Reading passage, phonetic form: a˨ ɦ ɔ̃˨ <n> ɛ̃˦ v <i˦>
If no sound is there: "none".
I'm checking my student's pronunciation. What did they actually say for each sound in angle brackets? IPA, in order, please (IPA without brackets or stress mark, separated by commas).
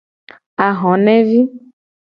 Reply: n, i˦